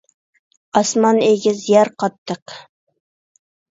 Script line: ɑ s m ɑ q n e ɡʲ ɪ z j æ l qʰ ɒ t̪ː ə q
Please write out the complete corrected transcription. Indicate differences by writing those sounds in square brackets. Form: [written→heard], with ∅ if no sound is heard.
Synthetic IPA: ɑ s m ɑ [q→∅] n e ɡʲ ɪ z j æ [l→ɾ] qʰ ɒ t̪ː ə q